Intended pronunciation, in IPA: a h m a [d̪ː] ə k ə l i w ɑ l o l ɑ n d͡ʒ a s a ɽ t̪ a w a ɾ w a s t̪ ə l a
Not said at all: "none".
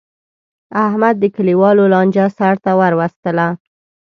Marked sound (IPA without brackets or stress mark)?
d̪ː